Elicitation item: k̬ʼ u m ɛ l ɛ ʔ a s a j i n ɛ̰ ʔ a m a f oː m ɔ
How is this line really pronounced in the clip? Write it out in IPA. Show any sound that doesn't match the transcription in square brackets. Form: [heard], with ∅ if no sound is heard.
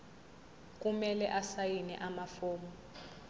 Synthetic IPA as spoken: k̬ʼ u m ɛ l ɛ ʔ a s a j i n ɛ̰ ʔ a m a f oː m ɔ